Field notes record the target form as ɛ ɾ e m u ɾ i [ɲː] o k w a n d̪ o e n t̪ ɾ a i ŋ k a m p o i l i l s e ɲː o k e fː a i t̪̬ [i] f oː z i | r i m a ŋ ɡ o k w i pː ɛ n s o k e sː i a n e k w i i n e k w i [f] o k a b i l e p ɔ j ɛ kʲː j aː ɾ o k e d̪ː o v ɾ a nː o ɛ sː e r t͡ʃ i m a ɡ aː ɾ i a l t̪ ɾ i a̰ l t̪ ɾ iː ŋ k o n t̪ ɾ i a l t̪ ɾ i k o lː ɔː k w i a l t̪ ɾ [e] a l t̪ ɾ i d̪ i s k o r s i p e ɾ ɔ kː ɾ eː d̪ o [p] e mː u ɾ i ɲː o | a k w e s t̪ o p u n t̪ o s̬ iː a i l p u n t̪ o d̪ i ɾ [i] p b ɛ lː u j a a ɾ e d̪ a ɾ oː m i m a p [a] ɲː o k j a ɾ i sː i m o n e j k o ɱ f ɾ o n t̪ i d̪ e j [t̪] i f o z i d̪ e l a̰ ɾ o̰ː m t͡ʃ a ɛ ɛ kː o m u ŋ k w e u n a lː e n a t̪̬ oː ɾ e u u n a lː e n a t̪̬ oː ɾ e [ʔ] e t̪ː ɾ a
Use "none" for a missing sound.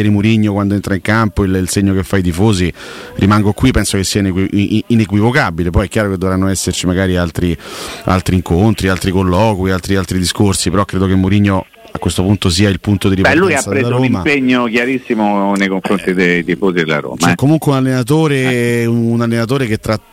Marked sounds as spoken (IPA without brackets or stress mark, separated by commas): ɲː, i, v, i, k, i, e, t̪, k